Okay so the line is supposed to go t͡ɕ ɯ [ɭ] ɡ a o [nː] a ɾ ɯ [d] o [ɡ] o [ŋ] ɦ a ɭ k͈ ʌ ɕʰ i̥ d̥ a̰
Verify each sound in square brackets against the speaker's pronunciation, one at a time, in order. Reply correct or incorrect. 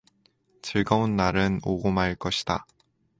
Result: correct, correct, incorrect, correct, incorrect

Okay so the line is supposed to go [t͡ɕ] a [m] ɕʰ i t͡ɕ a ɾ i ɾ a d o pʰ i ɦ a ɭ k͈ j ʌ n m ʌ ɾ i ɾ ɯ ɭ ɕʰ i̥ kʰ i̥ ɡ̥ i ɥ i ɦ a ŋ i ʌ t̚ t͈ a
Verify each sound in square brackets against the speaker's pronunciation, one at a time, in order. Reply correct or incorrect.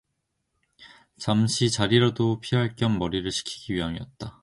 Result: correct, correct

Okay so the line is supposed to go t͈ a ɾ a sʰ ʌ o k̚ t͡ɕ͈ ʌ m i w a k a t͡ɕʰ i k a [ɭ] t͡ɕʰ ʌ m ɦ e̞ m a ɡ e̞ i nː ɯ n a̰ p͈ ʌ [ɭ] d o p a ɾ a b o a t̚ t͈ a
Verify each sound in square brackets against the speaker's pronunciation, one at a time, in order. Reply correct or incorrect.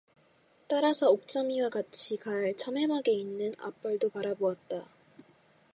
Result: correct, correct

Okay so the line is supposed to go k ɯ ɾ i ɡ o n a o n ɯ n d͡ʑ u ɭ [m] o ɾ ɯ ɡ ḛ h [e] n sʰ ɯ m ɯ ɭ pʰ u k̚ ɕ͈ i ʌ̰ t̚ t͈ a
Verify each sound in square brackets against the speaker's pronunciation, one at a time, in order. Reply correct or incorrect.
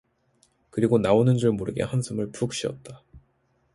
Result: correct, incorrect

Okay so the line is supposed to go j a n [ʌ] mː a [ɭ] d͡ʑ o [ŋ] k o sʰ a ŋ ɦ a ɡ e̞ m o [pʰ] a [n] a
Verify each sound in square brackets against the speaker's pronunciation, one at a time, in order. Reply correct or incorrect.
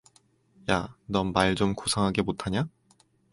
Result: correct, correct, incorrect, incorrect, incorrect

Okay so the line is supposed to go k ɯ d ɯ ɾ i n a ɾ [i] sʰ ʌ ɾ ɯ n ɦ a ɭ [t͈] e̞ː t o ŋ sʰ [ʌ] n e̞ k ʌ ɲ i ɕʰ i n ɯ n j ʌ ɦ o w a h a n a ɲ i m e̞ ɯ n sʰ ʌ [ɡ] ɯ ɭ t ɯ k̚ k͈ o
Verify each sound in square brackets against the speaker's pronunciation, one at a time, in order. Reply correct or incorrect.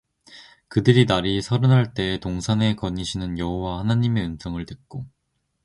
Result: correct, correct, incorrect, incorrect

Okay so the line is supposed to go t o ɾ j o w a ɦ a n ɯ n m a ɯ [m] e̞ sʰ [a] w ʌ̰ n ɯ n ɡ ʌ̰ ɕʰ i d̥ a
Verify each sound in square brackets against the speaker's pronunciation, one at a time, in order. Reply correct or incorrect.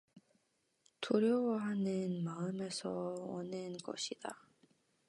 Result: correct, incorrect

